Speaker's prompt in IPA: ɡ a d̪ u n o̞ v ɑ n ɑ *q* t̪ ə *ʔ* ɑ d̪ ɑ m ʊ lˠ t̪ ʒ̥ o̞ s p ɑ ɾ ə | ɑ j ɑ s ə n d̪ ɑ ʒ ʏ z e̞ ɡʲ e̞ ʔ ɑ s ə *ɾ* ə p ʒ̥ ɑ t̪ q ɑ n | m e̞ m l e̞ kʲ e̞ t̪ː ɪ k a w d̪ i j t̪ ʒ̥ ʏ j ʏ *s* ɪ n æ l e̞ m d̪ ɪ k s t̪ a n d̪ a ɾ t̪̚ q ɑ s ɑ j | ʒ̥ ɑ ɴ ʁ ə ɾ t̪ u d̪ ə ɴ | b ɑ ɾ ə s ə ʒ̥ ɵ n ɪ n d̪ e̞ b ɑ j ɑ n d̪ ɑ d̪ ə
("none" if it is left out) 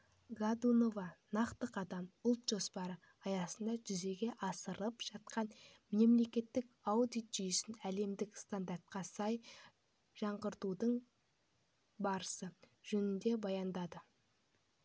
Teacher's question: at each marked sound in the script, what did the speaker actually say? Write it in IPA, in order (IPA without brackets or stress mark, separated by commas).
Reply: q, q, ɾ, s